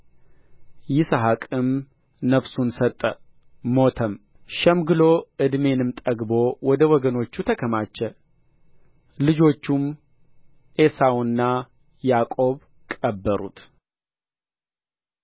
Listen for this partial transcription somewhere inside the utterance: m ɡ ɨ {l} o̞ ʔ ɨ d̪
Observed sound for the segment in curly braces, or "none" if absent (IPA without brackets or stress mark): l